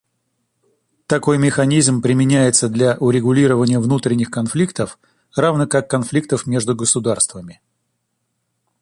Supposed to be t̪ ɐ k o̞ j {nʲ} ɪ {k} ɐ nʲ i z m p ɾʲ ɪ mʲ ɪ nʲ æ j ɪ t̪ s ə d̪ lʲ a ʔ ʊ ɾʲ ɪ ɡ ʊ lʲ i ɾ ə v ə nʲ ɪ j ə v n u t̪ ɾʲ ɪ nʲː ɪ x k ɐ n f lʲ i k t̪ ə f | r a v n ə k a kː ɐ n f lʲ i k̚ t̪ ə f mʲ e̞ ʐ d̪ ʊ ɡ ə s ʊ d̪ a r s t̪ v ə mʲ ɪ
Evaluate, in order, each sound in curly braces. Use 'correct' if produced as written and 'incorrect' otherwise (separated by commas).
incorrect, incorrect